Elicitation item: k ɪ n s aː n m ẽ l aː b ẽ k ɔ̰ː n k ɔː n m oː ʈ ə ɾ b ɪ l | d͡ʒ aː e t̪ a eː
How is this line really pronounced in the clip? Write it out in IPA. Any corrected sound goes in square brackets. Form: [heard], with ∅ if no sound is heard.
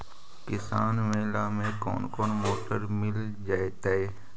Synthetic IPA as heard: k ɪ [∅] s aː n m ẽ l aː [m] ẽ k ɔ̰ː n k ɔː n m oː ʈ ə ɾ [m] ɪ l | d͡ʒ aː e t̪ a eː